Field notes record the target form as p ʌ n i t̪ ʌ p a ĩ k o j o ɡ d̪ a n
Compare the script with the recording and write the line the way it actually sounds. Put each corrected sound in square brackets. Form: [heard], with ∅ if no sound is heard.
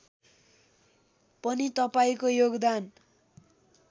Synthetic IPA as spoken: p ʌ n i t̪ ʌ p a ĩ k o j o ɡ d̪ a n

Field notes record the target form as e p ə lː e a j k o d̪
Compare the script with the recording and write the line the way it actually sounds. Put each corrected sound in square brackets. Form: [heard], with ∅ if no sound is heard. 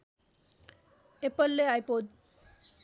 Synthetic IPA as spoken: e p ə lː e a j [p] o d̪

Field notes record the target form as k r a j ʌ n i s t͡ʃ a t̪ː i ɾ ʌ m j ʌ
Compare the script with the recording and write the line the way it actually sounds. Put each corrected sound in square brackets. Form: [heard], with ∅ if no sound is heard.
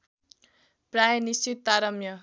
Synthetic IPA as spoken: [p] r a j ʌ n i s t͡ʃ [i] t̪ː [a] ɾ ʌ m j ʌ

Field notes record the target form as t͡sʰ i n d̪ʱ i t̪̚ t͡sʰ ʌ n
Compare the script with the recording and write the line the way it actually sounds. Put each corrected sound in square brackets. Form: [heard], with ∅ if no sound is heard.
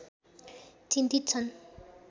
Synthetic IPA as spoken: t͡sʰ i n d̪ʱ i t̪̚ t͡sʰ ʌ n

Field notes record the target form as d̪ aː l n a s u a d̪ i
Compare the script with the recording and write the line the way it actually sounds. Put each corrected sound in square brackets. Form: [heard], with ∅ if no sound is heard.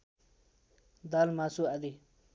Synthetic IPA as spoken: d̪ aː l [m] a s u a d̪ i

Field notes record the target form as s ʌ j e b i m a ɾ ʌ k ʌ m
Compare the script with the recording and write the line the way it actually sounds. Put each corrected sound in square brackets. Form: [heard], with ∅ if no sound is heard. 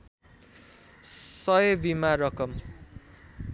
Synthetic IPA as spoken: s ʌ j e b i m a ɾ ʌ k ʌ m

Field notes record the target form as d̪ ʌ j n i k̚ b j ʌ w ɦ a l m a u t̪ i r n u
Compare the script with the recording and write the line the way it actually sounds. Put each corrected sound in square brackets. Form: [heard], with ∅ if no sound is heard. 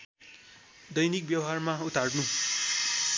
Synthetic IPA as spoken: d̪ ʌ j n i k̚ b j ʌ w ɦ a [r] m a u t̪ [a] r n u

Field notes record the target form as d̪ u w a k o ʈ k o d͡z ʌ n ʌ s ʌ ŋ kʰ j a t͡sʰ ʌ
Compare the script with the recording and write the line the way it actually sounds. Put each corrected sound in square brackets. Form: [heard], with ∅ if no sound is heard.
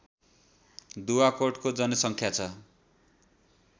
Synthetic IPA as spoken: d̪ u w a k o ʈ k o d͡z ʌ n ʌ s ʌ ŋ kʰ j a t͡sʰ ʌ

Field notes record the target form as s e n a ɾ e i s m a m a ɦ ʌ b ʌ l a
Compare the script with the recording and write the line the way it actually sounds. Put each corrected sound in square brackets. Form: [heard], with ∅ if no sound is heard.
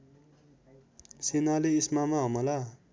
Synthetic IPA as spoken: s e n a [l] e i s m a m a ɦ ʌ [m] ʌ l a

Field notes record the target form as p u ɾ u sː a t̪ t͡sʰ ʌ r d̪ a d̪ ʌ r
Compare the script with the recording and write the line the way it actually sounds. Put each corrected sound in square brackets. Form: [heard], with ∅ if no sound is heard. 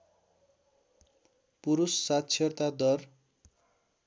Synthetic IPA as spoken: p u ɾ u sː a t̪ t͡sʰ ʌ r [t̪] a d̪ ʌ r

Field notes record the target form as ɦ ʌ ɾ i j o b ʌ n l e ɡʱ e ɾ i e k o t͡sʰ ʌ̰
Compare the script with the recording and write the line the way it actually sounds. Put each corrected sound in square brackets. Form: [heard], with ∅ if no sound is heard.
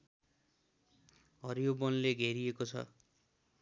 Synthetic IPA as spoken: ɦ ʌ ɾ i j o b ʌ n l e ɡʱ e ɾ i e k o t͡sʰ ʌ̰

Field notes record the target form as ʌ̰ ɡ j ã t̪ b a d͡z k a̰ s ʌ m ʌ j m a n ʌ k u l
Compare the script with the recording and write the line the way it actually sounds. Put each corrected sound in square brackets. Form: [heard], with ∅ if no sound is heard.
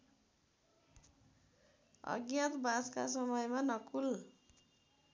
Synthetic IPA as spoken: ʌ̰ ɡ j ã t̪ b a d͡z k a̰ s ʌ m ʌ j m a n ʌ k u l

